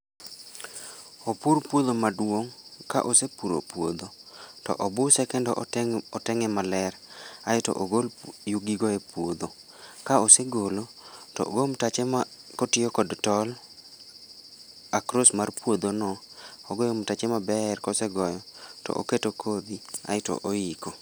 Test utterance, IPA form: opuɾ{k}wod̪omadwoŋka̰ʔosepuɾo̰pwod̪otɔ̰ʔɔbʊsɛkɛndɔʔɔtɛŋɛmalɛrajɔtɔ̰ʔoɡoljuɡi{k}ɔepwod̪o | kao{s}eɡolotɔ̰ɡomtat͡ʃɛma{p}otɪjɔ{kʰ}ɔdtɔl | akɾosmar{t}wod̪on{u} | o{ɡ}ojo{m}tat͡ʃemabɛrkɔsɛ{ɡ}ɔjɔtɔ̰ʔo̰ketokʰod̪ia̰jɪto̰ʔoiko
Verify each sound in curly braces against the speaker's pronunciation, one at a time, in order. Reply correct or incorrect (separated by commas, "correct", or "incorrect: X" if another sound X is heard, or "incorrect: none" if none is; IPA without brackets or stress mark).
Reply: incorrect: p, incorrect: ɡ, correct, incorrect: k, incorrect: k, incorrect: p, incorrect: ɔ, correct, correct, correct